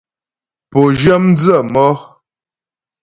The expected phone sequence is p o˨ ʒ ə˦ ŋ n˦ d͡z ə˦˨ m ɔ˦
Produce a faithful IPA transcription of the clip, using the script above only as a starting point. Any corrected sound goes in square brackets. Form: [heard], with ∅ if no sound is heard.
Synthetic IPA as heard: p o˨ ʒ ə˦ [m] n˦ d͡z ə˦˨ m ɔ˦